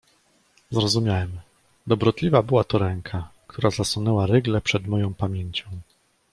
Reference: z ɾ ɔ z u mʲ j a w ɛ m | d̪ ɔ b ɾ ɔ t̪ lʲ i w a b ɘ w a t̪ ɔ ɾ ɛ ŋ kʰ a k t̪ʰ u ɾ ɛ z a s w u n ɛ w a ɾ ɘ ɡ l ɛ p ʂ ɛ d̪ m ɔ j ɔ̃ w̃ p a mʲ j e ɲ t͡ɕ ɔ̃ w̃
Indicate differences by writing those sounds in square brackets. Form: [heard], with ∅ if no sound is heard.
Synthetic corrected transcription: z ɾ ɔ z u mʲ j a w ɛ m | d̪ ɔ b ɾ ɔ t̪ lʲ i [v] a b ɘ w a t̪ ɔ ɾ ɛ ŋ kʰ a k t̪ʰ u ɾ [a] z a s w u n ɛ w a ɾ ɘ ɡ l ɛ p ʂ ɛ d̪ m ɔ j ɔ̃ w̃ p a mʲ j e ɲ t͡ɕ ɔ̃ w̃